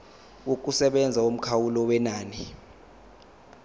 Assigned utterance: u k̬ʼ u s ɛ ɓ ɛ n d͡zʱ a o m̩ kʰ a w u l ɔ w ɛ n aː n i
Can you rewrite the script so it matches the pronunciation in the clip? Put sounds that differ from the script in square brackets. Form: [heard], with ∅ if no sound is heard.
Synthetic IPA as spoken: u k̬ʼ u s ɛ ɓ ɛ n d͡zʱ a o m̩ kʰ a w u l ɔ w ɛ n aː n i